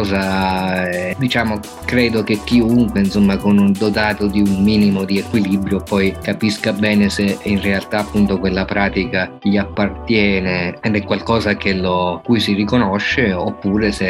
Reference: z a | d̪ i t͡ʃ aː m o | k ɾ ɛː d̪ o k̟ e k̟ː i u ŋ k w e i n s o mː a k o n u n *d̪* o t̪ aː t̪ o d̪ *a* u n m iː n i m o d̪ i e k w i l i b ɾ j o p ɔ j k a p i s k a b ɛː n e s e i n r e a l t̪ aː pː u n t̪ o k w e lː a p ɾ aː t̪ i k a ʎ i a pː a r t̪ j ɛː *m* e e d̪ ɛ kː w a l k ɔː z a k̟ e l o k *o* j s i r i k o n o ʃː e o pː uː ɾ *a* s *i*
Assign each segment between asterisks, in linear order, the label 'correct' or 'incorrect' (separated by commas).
correct, incorrect, incorrect, incorrect, incorrect, incorrect